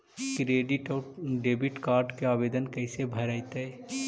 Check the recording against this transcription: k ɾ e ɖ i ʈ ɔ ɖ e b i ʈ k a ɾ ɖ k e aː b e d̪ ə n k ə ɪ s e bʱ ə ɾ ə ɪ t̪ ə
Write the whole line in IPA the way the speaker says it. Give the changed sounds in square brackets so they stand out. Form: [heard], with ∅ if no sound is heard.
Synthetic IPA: k ɾ e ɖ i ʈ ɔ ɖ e b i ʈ k a ɾ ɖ k e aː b e d̪ ə n k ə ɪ s e bʱ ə ɾ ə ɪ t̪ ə